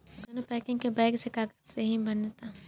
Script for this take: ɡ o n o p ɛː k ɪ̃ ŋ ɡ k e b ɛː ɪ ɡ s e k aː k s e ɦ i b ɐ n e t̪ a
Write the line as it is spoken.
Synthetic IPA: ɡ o n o p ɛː k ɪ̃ ŋ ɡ k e b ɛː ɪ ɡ s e k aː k s e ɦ i b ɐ n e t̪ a